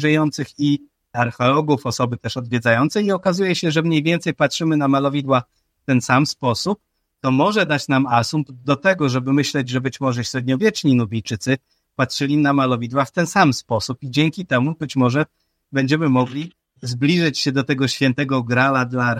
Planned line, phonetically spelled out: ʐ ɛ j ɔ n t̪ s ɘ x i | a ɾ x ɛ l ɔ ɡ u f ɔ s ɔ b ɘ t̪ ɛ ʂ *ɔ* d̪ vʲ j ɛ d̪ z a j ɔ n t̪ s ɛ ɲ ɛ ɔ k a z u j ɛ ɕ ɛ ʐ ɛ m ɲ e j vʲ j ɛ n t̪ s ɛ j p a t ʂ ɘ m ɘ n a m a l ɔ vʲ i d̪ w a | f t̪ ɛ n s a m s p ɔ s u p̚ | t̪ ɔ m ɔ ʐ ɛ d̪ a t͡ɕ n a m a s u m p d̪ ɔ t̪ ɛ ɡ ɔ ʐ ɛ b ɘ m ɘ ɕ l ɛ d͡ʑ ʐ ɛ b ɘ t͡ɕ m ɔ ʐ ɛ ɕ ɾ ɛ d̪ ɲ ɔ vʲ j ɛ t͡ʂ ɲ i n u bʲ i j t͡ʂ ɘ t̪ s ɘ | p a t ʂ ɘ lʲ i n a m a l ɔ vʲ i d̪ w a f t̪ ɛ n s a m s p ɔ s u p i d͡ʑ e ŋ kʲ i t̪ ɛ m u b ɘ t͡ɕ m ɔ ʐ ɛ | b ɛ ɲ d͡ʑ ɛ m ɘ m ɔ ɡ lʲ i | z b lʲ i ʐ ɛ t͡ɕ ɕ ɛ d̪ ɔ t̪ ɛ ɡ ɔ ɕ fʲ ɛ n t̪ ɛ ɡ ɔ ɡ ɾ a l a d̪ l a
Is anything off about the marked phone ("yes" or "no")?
no